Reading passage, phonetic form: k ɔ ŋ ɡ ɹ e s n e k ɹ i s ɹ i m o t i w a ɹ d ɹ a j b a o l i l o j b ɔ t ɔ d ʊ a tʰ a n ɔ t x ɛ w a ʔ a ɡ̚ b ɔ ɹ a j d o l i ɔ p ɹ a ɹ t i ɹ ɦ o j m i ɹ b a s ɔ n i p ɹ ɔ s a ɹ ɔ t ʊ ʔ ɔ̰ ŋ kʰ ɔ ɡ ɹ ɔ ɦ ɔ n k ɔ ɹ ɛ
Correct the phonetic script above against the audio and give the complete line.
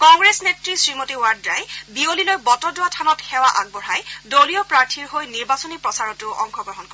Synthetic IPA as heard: k ɔ ŋ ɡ ɹ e s n e t ɹ i s ɹ i m o t i w a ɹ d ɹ a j b i o l i l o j b ɔ t ɔ d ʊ a tʰ a n ɔ t x ɛ w a ʔ a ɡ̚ b ɔ ɹ a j d o l i ɔ p ɹ a ɹ tʰ i ɹ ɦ o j n i ɹ b a s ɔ n i p ɹ ɔ s a ɹ ɔ t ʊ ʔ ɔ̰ ŋ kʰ ɔ ɡ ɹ ɔ ɦ ɔ n k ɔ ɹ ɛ